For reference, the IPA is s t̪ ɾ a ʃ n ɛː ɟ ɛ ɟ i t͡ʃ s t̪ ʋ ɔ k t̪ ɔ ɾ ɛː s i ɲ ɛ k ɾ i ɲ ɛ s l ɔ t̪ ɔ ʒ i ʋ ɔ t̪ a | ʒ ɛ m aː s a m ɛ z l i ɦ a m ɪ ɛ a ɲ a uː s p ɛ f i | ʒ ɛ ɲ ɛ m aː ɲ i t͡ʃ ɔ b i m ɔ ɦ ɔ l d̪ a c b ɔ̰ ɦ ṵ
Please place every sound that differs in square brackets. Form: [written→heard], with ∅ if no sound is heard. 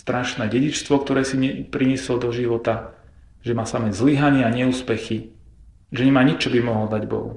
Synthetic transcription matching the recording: s t̪ ɾ a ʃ n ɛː ɟ ɛ ɟ i t͡ʃ s t̪ ʋ ɔ k t̪ ɔ ɾ ɛː s i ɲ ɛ [k→p] ɾ i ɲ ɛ s l ɔ [t̪→d̪] ɔ ʒ i ʋ ɔ t̪ a | ʒ ɛ m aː s a m ɛ z l i ɦ a [m→ɲ] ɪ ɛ a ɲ [a→ɛ] uː s p ɛ [f→x] i | ʒ ɛ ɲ ɛ m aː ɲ i t͡ʃ ɔ b i m ɔ ɦ ɔ l d̪ a [c→ɟ] b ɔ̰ ɦ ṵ